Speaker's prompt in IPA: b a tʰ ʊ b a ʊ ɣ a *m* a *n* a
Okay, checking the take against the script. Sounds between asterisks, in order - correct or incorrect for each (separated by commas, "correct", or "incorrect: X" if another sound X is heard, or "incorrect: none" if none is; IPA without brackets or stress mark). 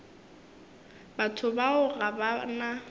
incorrect: b, correct